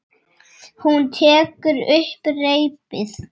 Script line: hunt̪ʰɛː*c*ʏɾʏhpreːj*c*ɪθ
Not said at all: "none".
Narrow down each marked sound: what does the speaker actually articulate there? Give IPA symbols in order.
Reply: k, p

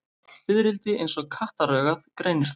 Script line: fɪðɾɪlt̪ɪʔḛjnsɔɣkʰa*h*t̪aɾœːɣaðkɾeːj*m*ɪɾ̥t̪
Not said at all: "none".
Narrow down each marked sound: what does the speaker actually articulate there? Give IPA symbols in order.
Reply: h, n

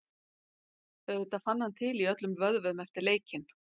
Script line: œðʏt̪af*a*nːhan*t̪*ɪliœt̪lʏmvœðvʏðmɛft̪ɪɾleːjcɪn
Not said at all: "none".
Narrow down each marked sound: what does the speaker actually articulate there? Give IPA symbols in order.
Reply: a, t̪ʰ

